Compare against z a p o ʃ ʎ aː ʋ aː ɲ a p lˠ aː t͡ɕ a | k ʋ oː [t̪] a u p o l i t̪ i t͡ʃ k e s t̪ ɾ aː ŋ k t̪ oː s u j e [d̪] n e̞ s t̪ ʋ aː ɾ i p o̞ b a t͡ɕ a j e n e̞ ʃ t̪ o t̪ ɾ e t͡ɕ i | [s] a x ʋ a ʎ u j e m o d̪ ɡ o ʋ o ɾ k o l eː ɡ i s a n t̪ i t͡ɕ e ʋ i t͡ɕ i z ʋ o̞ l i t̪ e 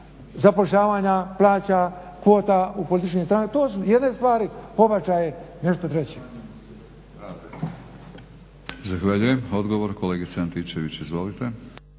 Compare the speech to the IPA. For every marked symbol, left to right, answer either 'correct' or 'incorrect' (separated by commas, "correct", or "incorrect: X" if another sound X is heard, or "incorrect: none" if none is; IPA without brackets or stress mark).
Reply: correct, correct, incorrect: z